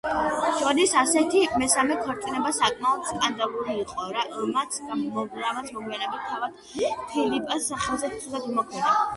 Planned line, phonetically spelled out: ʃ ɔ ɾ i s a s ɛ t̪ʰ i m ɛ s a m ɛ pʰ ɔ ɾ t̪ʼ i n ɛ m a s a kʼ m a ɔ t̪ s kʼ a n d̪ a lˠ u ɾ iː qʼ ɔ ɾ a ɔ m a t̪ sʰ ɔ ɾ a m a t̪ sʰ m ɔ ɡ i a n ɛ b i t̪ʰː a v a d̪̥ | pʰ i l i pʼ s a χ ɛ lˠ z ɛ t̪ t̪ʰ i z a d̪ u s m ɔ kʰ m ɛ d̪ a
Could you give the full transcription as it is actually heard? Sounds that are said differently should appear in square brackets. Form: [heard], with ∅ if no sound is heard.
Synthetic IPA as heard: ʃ ɔ ɾ i s a s ɛ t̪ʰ i m ɛ s a m ɛ [kʰ] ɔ ɾ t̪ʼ i n ɛ [b] a s a kʼ m a ɔ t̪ s kʼ a n d̪ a lˠ u ɾ iː qʼ ɔ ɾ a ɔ m a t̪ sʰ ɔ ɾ a m a t̪ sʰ m ɔ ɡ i a n ɛ b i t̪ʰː a v a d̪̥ | pʰ i l i pʼ s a χ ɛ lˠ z ɛ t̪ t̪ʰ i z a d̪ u [∅] m ɔ kʰ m ɛ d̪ a